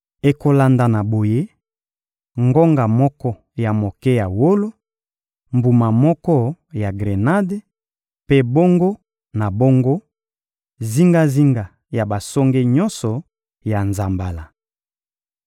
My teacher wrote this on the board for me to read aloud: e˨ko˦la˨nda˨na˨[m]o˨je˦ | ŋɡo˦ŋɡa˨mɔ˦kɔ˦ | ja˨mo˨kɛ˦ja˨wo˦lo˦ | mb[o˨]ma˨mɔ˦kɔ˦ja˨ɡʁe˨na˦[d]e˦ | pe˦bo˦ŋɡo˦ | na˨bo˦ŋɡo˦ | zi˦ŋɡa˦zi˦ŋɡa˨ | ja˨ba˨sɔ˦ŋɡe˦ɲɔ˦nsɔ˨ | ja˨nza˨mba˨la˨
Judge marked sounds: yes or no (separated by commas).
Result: no, no, yes